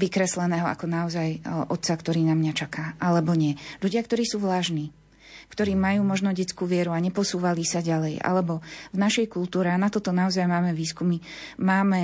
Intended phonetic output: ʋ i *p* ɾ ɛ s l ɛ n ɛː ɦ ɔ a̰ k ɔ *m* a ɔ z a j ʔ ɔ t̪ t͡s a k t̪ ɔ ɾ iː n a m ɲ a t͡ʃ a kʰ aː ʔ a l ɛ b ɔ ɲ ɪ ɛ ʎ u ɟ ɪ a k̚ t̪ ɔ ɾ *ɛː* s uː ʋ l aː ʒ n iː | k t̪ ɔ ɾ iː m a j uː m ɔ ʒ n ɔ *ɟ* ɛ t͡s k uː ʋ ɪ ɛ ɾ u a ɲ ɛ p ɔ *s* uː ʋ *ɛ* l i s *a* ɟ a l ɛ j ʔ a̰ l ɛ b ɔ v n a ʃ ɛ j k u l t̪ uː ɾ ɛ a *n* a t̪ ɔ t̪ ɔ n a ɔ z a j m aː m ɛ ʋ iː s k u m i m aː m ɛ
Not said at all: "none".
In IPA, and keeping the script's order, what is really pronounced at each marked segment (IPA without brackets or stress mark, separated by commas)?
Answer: k, n, iː, ɟ, s, a, a, n